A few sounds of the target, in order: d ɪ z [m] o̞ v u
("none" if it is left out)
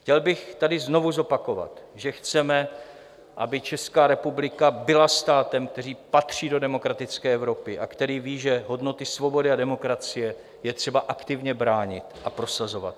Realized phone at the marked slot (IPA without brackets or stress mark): n